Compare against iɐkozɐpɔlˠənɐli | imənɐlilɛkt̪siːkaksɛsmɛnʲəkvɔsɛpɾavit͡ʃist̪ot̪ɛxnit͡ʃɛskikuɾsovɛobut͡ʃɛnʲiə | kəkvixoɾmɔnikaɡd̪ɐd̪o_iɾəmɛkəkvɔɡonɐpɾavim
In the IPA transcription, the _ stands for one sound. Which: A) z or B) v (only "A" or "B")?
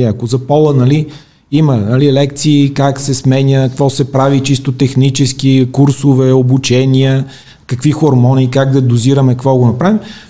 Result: A